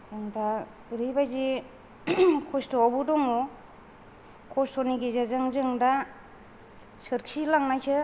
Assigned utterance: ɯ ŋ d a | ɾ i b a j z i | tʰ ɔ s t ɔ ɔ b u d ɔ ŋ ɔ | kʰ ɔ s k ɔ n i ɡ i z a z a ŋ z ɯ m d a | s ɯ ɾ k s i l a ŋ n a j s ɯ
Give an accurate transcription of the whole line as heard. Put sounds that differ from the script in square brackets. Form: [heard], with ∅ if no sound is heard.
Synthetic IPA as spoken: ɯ ŋ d a | ɾ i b a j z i | [kʰ] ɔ s t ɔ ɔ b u d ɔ ŋ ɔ | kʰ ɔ s [t] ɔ n i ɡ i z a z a ŋ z ɯ [ŋ] d a | s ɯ ɾ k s i l a ŋ n a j s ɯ

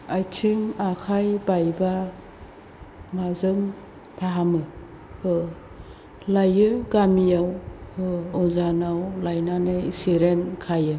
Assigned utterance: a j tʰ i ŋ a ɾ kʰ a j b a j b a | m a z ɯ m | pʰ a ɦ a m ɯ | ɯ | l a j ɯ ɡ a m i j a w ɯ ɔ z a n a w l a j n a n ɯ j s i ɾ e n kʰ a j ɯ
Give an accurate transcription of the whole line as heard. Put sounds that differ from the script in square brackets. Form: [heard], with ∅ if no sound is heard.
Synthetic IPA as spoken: a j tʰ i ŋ a [∅] kʰ a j b a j b a | m a z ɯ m | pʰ a ɦ a m ɯ | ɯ | l a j ɯ ɡ a m i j a w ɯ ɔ z a n a w l a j n a n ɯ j s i ɾ e n kʰ a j ɯ

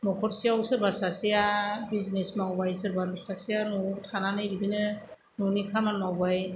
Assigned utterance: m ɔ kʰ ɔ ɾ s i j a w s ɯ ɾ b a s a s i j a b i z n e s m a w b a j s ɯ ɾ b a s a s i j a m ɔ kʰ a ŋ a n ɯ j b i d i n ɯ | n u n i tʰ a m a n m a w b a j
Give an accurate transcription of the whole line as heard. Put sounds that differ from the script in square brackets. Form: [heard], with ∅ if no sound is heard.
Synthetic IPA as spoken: m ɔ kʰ ɔ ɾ s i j a w s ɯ ɾ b a s a s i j a b i z n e s m a w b a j s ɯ ɾ b a s a s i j a [n] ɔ [tʰ] a [n] a n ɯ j b i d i n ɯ | n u n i [kʰ] a m a n m a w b a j

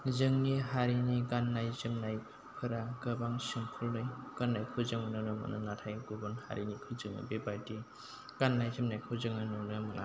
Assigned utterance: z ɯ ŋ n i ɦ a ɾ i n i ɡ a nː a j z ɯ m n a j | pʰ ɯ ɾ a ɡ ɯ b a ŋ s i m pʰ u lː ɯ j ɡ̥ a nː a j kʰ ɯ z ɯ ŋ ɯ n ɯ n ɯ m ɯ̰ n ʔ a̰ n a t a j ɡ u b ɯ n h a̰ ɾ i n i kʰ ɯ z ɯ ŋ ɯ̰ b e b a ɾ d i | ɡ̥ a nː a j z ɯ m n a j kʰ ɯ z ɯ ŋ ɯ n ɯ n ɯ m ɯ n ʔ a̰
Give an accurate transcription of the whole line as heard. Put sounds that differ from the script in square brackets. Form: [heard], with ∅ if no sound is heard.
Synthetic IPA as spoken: z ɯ ŋ n i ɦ a ɾ i n i ɡ a nː a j z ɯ m n a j | pʰ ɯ ɾ a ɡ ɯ b a ŋ s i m pʰ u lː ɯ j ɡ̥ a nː a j kʰ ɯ z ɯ ŋ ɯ n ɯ n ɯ m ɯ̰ n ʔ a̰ n a [tʰ] a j ɡ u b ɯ n h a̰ ɾ i n i kʰ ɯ z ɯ ŋ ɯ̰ b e b a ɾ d i | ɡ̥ a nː a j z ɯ m n a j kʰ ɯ z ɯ ŋ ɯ n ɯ n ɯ m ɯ n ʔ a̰

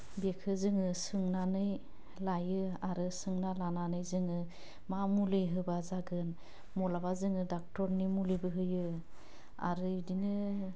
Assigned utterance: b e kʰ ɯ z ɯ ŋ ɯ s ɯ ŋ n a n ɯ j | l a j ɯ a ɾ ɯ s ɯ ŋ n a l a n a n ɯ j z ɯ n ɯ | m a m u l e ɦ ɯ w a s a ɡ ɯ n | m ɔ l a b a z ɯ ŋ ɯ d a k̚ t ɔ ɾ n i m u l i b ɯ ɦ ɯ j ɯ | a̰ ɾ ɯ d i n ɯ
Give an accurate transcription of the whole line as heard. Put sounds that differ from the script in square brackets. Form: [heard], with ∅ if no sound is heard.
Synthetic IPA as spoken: b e kʰ ɯ z ɯ ŋ ɯ s ɯ ŋ n a n ɯ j | l a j ɯ a ɾ ɯ s ɯ ŋ n a l a n a n ɯ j z ɯ [ŋ] ɯ | m a m u l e ɦ ɯ [b] a [z] a ɡ ɯ n | m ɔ l a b a z ɯ ŋ ɯ d a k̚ t ɔ ɾ n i m u l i b ɯ ɦ ɯ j ɯ | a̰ ɾ ɯ d i n ɯ

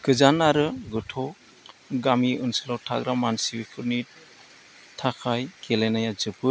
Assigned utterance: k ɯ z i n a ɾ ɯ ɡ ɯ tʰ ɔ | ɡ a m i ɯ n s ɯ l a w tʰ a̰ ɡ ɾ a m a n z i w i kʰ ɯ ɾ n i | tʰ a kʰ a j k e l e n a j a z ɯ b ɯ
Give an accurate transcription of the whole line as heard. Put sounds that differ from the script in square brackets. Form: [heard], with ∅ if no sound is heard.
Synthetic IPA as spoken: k ɯ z [a] n a ɾ ɯ ɡ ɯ tʰ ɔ | ɡ a m i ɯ n s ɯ l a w tʰ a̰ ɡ ɾ a m a n [s] i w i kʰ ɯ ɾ n i | tʰ a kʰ a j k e l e n a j a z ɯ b ɯ

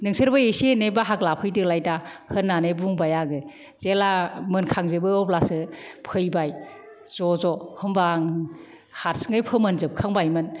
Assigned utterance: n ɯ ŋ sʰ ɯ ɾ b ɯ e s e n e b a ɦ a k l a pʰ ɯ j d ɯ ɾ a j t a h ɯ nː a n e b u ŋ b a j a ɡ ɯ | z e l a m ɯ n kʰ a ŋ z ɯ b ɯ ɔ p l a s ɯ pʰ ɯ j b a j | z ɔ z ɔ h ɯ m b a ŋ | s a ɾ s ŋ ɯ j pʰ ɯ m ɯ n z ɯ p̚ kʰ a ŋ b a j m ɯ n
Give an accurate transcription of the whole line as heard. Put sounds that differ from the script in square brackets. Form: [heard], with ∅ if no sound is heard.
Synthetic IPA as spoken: n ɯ ŋ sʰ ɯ ɾ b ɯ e s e n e b a ɦ a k l a pʰ ɯ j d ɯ [l] a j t a h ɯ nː a n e b u ŋ b a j a ɡ ɯ | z e l a m ɯ n kʰ a ŋ z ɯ b ɯ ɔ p l a s ɯ pʰ ɯ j b a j | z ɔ z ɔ h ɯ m b a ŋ | [h] a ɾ s ŋ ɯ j pʰ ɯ m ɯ n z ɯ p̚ kʰ a ŋ b a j m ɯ n

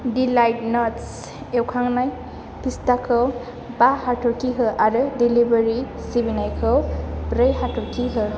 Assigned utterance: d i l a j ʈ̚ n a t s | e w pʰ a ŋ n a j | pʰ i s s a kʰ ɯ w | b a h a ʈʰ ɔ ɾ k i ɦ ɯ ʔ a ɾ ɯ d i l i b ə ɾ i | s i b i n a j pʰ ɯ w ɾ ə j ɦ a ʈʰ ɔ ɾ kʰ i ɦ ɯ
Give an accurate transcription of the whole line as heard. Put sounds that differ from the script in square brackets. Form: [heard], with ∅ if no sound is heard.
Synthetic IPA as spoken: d i l a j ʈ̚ n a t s | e w [kʰ] a ŋ n a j | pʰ i s [t] a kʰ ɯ w | b a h a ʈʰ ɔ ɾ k i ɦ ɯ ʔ a ɾ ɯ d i l i b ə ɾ i | s i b i n a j [kʰ] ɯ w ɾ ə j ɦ a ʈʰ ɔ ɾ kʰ i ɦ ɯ

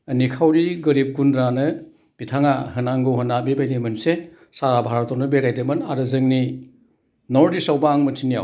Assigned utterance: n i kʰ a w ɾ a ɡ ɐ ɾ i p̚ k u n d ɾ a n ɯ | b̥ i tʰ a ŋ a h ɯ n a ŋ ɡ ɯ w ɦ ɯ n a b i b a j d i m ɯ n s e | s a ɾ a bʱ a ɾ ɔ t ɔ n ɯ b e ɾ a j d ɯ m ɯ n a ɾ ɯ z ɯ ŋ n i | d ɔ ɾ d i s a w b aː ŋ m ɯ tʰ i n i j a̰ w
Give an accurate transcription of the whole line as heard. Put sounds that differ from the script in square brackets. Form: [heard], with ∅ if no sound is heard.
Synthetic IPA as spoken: n i kʰ a w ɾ [i] ɡ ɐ ɾ i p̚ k u n d ɾ a n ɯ | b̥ i tʰ a ŋ a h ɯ n a ŋ ɡ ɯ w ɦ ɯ n a b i b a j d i m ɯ n s e | s a ɾ a bʱ a ɾ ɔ t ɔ n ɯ b e ɾ a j d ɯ m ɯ n a ɾ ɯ z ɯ ŋ n i | [n] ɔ ɾ d i s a w b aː ŋ m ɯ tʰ i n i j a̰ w

